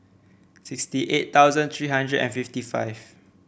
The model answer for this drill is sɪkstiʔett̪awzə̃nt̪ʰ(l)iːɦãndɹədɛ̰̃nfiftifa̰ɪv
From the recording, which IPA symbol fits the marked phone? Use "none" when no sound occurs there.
ɹ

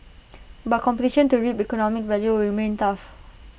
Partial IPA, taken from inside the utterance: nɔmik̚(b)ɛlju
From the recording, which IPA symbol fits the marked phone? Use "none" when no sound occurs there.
v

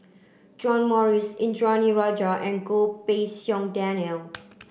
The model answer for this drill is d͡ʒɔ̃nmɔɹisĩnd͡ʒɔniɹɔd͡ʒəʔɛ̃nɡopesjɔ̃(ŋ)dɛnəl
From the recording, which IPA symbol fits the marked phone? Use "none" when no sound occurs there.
ŋ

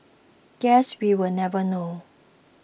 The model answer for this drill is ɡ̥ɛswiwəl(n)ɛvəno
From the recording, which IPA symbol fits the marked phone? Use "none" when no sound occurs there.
n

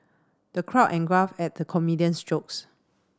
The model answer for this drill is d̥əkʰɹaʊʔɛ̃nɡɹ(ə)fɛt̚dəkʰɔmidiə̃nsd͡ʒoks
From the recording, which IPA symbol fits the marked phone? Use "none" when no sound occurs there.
a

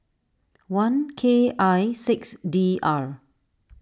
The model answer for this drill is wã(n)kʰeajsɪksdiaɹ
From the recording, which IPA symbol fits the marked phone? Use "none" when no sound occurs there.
n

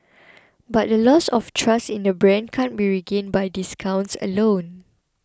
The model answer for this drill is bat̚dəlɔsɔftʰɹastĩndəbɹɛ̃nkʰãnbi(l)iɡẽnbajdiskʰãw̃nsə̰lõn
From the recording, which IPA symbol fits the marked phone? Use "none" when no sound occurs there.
ɹ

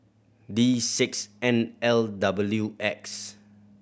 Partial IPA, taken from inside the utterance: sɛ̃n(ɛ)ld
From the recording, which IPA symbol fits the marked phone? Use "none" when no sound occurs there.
ɛ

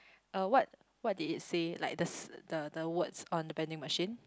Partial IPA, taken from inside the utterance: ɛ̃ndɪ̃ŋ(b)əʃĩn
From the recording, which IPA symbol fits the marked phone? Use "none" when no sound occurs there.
m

